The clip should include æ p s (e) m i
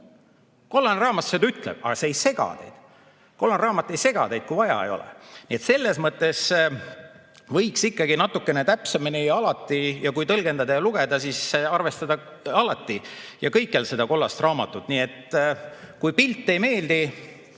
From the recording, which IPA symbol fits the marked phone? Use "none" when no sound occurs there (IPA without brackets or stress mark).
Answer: e